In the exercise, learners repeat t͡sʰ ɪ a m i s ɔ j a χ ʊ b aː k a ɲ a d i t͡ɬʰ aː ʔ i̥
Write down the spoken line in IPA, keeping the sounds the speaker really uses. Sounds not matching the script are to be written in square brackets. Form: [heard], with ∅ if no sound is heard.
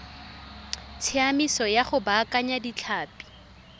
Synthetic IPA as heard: t͡sʰ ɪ a m i s ɔ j a χ ʊ b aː k a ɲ a d i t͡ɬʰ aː [p] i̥